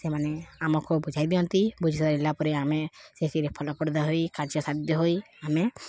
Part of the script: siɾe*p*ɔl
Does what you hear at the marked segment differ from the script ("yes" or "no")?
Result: yes